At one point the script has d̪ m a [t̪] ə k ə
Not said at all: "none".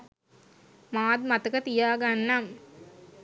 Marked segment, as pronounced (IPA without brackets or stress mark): t̪